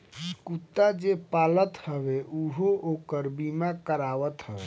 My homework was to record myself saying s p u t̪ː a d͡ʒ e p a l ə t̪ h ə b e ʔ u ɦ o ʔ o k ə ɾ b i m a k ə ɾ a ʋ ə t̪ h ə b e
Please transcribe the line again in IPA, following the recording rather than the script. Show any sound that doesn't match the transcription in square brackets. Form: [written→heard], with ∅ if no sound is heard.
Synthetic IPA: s [p→k] u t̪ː a d͡ʒ e p a l ə t̪ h ə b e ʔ u ɦ o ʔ o k ə ɾ b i m a k ə ɾ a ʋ ə t̪ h ə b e

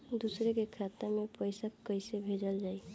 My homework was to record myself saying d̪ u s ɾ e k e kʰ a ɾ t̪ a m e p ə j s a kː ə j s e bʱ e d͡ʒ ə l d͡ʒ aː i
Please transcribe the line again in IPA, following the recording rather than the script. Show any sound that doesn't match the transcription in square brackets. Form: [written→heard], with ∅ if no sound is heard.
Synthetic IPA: d̪ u s ɾ e k e kʰ a [ɾ→∅] t̪ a m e p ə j s a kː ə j s e bʱ e d͡ʒ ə l d͡ʒ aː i

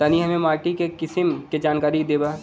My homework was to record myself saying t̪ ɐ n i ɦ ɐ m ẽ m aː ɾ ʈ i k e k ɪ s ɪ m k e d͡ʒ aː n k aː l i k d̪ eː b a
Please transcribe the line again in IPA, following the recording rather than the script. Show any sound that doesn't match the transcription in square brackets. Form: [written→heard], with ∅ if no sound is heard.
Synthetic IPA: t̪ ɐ n i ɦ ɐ m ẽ m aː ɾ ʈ i k e k ɪ s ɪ m k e d͡ʒ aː n k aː [l→ɾ] i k d̪ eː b a

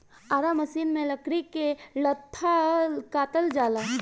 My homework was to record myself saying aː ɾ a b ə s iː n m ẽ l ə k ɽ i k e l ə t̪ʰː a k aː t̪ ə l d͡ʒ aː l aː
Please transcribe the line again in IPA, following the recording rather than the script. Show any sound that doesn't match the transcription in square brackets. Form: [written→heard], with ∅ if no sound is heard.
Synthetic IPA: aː ɾ a [b→m] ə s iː n m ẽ l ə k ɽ i k e l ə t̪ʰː a k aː t̪ ə l d͡ʒ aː l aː

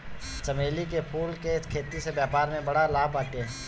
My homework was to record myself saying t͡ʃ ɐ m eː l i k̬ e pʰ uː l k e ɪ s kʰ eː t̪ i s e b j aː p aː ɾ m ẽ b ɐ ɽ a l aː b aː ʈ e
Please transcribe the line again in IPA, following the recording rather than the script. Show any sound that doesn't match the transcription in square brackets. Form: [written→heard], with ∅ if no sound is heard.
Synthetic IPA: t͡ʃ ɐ m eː l i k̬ e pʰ uː l k e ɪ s kʰ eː t̪ i s e b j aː p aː ɾ m ẽ b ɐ ɽ a l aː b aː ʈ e

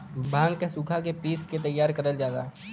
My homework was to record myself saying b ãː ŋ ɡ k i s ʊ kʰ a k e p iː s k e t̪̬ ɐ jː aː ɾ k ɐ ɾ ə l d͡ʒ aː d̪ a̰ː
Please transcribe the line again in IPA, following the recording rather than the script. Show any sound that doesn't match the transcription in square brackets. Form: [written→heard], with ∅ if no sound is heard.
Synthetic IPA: b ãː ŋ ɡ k [i→e] s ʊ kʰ a k e p iː s k e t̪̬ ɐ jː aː ɾ k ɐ ɾ ə l d͡ʒ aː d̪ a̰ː

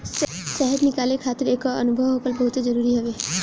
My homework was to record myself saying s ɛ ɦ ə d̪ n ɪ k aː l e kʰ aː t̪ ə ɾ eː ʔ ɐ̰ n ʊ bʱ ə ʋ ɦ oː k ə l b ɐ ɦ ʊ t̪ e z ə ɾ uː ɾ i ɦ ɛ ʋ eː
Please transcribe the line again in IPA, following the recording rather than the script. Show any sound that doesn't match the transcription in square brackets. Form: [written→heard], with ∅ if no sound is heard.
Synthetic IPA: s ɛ ɦ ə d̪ n ɪ k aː l e kʰ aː t̪ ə ɾ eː [ʔ→k] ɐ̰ n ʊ bʱ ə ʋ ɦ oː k ə l b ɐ ɦ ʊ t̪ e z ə ɾ uː ɾ i ɦ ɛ ʋ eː

